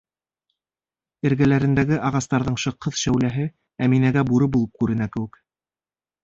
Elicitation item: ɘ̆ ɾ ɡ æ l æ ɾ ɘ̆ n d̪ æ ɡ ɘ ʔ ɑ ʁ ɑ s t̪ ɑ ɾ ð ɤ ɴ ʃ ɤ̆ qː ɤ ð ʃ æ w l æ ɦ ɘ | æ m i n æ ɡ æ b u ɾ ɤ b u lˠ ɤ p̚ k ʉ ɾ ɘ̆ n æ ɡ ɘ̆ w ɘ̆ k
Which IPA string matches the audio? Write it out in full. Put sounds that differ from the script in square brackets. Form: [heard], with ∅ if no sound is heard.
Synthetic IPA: ɘ̆ ɾ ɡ æ l æ ɾ ɘ̆ n d̪ æ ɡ ɘ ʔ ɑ ʁ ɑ s t̪ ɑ ɾ ð ɤ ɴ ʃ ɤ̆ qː ɤ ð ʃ æ w l æ ɦ ɘ | æ m i n æ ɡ æ b u ɾ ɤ b u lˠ ɤ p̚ k ʉ ɾ ɘ̆ n æ [k] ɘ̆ w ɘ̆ k

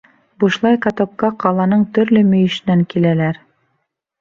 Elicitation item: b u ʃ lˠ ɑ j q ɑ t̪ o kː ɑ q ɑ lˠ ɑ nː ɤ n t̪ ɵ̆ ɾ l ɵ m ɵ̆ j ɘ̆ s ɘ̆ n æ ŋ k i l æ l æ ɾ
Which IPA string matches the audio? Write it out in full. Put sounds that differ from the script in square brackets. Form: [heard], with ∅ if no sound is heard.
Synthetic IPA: b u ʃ lˠ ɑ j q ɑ t̪ o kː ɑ q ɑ lˠ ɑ [n] ɤ [ɴ] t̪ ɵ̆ ɾ l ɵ m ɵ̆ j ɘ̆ [ʃ] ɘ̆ n æ ŋ k i l æ l æ ɾ

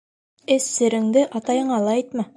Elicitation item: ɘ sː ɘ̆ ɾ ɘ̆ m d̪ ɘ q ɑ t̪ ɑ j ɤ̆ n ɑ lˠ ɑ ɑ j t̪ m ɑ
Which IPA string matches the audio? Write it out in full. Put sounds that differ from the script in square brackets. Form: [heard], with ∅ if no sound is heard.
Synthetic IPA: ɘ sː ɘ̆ ɾ ɘ̆ [ŋ] d̪ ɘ [ʔ] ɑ t̪ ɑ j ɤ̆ [ɴ] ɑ lˠ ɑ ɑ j t̪ m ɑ

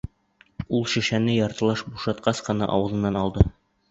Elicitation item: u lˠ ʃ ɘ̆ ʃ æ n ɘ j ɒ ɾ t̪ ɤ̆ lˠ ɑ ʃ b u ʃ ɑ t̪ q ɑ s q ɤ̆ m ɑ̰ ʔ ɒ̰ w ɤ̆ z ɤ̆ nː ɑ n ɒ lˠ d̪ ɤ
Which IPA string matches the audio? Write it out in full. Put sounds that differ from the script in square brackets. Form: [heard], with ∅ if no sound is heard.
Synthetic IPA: u lˠ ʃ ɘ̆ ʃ æ n ɘ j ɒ ɾ t̪ ɤ̆ lˠ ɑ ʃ b u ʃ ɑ t̪ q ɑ s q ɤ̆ [n] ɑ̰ ʔ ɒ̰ w ɤ̆ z ɤ̆ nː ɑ n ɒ lˠ d̪ ɤ

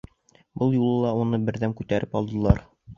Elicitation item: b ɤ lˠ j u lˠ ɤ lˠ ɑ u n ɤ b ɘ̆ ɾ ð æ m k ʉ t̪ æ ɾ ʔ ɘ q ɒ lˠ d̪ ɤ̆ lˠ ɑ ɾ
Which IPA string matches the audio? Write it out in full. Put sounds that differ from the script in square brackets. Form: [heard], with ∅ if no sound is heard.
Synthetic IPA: b ɤ lˠ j u lˠ ɤ lˠ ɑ u n ɤ b ɘ̆ ɾ ð æ m k ʉ t̪ æ ɾ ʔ ɘ [p] ɒ lˠ d̪ ɤ̆ lˠ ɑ ɾ

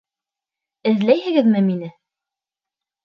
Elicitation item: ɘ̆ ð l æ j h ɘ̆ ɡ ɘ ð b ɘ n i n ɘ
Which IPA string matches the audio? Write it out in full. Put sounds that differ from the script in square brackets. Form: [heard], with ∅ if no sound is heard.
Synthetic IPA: ɘ̆ ð l æ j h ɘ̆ ɡ ɘ ð [m] ɘ [m] i n ɘ

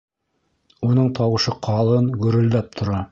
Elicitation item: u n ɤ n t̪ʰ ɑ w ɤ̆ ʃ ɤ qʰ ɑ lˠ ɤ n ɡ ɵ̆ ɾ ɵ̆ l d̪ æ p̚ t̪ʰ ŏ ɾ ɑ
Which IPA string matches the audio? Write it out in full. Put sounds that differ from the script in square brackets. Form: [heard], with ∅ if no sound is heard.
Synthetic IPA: u n ɤ [ɴ] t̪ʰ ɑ w ɤ̆ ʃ ɤ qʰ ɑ lˠ ɤ n ɡ ɵ̆ ɾ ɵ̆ l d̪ æ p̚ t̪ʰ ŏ ɾ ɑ

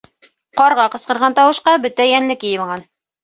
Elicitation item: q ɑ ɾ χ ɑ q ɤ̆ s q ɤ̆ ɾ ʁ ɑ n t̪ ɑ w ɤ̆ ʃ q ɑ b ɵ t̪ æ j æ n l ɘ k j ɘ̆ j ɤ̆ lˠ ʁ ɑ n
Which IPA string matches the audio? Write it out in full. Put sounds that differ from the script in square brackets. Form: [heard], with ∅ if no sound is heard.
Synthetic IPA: q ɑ ɾ [ʁ] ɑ q ɤ̆ s q ɤ̆ ɾ ʁ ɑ n t̪ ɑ w ɤ̆ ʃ q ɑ b ɵ t̪ æ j æ n l ɘ k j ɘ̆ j ɤ̆ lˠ ʁ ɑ n

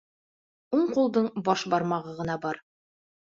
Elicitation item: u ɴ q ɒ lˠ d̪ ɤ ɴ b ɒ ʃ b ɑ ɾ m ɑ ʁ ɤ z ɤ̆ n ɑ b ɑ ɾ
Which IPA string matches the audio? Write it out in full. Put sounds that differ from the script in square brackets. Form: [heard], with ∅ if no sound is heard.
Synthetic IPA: u ɴ q [u] lˠ d̪ ɤ ɴ b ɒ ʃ b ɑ ɾ m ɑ ʁ ɤ [ʁ] ɤ̆ n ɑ b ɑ ɾ

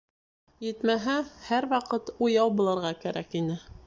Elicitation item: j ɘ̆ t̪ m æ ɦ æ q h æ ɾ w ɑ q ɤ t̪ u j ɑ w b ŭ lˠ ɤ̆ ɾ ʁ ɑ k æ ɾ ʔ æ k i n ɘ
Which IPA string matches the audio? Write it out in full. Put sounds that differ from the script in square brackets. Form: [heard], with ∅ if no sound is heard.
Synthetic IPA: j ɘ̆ t̪ m æ ɦ æ [∅] h æ ɾ w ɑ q ɤ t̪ u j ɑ w b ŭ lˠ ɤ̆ ɾ ʁ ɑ k æ ɾ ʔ æ k i n ɘ

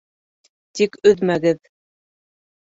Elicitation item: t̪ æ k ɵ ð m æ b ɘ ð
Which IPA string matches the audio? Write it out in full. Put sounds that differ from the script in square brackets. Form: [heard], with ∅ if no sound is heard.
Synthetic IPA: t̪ [i] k ɵ ð m æ [ɡ] ɘ ð

